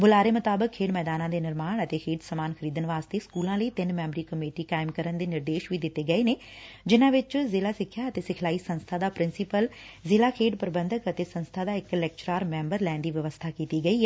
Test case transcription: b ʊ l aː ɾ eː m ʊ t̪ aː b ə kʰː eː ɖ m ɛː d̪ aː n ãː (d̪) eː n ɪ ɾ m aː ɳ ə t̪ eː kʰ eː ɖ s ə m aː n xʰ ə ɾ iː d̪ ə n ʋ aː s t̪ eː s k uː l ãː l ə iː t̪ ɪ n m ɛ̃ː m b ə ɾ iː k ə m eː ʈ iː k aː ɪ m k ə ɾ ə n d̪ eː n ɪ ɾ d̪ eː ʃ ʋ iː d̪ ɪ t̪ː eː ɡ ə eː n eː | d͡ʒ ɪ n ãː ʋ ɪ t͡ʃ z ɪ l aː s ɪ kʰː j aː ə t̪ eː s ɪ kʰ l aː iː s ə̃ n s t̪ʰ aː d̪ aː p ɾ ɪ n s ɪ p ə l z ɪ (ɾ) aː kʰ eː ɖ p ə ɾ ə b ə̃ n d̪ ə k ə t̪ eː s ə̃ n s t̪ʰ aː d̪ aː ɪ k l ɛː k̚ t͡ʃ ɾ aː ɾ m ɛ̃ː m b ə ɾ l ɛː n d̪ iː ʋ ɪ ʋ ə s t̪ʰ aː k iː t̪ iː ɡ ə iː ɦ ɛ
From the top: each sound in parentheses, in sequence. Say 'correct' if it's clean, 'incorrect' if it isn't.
correct, incorrect

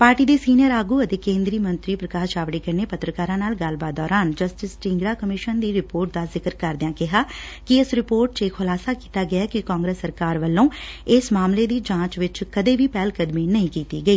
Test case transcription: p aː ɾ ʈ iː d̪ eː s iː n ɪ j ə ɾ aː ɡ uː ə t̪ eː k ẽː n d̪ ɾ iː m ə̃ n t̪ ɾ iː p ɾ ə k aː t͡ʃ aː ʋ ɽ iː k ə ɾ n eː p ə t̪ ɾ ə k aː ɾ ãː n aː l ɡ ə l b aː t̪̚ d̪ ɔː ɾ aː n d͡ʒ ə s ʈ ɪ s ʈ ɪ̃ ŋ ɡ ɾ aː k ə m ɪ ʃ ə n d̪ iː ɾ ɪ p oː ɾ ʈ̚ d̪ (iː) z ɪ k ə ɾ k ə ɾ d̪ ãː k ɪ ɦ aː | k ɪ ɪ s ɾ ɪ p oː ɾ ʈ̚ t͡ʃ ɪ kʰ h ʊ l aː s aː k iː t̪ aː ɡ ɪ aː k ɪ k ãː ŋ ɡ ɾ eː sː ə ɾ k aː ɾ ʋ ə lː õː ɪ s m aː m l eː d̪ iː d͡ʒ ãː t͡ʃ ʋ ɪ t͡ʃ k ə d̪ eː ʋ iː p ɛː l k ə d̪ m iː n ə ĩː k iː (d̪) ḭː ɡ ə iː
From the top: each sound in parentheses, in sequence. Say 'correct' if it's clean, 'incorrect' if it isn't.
incorrect, incorrect

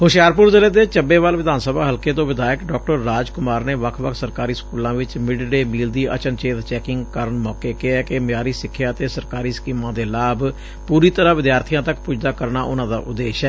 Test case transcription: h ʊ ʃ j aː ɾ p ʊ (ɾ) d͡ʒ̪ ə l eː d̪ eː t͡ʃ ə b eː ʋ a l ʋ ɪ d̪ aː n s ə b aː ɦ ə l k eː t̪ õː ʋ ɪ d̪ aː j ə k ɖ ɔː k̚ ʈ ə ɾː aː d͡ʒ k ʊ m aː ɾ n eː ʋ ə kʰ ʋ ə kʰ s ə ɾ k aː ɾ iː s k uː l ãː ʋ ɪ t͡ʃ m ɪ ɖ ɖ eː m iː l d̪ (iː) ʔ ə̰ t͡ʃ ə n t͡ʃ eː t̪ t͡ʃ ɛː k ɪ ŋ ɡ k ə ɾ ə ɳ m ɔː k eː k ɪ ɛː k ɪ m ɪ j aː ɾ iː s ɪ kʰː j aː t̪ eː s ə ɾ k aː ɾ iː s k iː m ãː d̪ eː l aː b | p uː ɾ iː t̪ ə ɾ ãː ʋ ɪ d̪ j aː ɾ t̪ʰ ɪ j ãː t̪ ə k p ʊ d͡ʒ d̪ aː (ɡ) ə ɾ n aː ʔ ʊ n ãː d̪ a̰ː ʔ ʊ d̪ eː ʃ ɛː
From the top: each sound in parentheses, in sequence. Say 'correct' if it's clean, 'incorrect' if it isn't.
correct, correct, incorrect

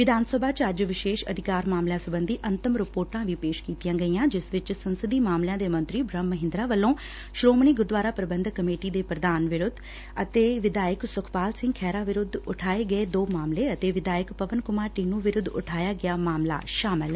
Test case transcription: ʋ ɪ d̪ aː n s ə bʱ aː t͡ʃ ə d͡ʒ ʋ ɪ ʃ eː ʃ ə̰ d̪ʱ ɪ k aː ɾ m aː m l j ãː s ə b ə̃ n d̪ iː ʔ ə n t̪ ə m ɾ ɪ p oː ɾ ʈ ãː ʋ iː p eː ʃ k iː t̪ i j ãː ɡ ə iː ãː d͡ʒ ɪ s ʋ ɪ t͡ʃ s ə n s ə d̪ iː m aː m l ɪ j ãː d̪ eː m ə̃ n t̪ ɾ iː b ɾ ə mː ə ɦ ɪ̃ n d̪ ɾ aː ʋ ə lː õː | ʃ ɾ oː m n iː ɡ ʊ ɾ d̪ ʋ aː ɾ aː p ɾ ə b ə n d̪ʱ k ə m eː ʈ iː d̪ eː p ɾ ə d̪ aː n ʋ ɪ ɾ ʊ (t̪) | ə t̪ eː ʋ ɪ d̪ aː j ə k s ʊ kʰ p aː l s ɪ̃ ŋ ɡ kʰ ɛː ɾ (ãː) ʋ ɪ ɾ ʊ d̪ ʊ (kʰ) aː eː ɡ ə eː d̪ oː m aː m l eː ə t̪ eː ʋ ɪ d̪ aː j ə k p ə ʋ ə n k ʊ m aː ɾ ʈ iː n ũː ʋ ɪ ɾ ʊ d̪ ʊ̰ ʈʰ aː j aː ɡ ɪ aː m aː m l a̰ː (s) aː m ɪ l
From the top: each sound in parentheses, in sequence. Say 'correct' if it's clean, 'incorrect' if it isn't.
incorrect, incorrect, incorrect, incorrect

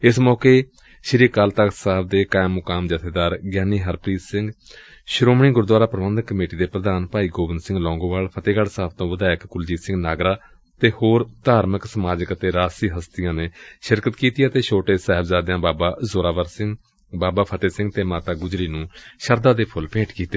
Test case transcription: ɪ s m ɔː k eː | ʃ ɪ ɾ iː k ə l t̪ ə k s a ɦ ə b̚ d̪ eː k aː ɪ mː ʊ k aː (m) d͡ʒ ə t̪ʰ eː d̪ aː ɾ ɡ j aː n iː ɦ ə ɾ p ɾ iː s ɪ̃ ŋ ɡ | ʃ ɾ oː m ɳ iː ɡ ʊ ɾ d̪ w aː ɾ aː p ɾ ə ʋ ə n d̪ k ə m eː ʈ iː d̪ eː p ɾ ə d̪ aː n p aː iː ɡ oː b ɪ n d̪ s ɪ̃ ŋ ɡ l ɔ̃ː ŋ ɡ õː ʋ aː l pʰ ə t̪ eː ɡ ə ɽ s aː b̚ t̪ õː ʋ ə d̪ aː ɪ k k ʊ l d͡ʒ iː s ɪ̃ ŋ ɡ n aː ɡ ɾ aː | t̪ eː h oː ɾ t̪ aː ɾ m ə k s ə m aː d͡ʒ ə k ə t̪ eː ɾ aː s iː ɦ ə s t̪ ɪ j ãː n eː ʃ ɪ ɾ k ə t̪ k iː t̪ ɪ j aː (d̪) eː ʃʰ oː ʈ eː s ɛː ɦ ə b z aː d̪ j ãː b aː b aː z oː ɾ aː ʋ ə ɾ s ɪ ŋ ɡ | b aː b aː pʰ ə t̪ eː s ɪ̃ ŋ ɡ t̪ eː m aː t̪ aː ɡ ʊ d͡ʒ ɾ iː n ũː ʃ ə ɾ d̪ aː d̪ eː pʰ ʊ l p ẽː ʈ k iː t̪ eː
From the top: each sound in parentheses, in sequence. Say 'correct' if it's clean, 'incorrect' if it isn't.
correct, incorrect

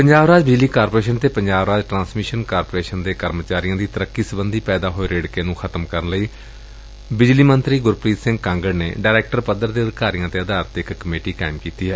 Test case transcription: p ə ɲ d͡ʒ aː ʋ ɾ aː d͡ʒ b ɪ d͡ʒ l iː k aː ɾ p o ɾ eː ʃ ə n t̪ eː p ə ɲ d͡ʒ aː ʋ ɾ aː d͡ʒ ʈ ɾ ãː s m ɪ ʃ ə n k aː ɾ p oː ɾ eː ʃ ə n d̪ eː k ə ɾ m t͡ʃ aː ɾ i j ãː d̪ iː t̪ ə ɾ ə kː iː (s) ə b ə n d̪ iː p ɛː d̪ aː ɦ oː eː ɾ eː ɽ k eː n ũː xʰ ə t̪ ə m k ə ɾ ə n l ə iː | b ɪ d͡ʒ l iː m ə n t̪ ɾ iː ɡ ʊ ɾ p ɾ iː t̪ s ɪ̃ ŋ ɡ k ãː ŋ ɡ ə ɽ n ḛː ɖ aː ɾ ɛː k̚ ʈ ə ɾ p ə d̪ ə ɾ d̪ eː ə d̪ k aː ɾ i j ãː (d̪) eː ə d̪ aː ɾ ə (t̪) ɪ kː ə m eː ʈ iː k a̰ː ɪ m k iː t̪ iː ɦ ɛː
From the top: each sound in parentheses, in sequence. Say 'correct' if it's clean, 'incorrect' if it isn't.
correct, incorrect, correct

